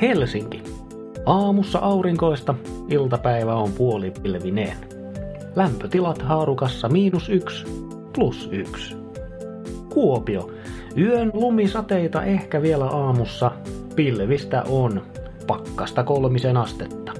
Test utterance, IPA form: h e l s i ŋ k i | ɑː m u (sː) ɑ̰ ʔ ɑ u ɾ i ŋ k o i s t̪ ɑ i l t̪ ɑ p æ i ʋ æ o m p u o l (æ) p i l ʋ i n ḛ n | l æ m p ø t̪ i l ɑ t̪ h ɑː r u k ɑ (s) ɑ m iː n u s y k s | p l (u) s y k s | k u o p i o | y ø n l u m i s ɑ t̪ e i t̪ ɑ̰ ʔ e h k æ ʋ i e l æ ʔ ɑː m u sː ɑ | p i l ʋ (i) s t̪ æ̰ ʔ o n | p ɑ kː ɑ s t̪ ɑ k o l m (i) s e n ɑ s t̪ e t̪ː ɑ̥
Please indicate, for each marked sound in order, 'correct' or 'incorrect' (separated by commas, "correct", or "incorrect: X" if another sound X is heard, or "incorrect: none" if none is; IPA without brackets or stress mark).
correct, incorrect: i, incorrect: sː, correct, correct, correct